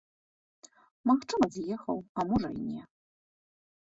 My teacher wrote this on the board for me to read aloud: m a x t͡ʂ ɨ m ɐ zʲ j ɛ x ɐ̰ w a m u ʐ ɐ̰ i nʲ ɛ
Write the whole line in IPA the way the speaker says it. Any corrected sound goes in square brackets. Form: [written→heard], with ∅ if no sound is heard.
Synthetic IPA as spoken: m a x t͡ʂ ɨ m ɐ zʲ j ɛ x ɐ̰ w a m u ʐ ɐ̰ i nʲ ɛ